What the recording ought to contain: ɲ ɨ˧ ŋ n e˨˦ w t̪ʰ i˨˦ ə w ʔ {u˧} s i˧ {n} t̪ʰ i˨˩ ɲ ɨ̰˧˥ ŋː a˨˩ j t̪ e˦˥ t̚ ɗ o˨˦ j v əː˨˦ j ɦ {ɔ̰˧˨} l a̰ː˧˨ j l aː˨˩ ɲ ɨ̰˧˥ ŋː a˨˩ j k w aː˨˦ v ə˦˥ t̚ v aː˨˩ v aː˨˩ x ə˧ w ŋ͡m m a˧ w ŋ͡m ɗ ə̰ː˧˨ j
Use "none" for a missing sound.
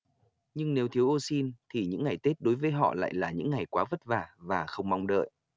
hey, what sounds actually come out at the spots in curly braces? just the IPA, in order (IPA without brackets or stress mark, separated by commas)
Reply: o˧, n, ɔ̰˧˨